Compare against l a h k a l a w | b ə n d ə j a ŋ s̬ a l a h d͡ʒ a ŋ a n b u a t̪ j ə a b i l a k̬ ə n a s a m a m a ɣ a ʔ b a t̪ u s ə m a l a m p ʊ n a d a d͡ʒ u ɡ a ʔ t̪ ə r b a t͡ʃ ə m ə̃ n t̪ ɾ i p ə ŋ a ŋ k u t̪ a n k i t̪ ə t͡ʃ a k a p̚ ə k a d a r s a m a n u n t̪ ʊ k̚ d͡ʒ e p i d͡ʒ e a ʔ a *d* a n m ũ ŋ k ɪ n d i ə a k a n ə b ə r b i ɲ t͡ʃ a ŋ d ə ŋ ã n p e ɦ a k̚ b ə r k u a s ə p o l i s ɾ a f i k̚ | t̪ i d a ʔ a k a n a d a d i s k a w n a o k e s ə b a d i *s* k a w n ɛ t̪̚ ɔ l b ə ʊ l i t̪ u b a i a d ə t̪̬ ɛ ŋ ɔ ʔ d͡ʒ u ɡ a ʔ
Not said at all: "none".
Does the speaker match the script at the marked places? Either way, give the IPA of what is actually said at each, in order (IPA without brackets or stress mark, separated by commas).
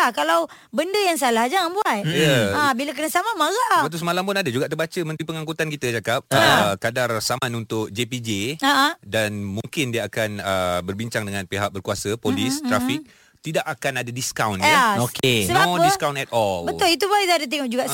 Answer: d, s